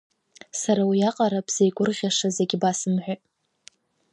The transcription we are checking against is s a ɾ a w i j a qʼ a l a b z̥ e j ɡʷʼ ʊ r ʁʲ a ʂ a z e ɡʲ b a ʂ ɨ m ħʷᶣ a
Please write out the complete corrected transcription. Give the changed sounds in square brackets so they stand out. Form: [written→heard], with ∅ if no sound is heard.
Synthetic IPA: s a ɾ a w i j a qʼ a [l→ɾ] a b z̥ e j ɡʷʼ ʊ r ʁʲ a ʂ a z e ɡʲ b a [ʂ→s] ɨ m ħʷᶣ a